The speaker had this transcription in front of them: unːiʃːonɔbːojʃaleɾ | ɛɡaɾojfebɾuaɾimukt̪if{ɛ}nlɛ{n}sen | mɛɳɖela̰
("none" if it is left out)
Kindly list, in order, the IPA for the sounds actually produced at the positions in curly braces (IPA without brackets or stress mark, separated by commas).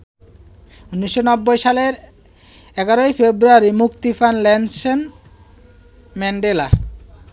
a, n